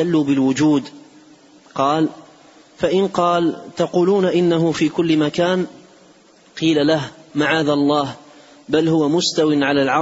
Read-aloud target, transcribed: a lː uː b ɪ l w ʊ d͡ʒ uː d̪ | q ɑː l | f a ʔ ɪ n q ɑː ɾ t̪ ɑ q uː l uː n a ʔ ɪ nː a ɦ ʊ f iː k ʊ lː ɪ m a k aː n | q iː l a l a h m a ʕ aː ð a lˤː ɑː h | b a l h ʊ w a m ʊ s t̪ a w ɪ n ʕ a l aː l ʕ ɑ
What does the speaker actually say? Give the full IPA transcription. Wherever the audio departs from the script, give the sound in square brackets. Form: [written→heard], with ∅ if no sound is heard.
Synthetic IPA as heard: a lː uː b ɪ l w ʊ d͡ʒ uː d̪ | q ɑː l | f a ʔ ɪ n q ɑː [ɾ→l] t̪ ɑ q uː l uː n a ʔ ɪ nː a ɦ ʊ f iː k ʊ lː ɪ m a k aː n | q iː l a l a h m a ʕ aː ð a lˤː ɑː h | b a l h ʊ w a m ʊ s t̪ a w ɪ n ʕ a l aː l ʕ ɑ